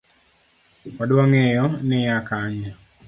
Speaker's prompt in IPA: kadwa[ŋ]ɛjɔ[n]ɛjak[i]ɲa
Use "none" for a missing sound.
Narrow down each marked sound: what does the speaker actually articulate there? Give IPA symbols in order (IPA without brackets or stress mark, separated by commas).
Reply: ŋ, n, a